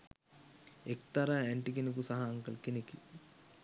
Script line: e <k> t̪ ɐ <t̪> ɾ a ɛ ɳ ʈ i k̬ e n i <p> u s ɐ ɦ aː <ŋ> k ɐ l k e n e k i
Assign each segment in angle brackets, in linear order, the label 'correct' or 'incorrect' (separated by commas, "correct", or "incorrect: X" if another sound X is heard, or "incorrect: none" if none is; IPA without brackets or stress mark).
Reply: correct, incorrect: none, incorrect: k, correct